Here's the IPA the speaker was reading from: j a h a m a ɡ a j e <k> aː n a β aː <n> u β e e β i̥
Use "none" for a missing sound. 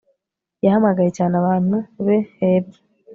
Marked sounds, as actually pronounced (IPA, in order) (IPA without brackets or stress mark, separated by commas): c, n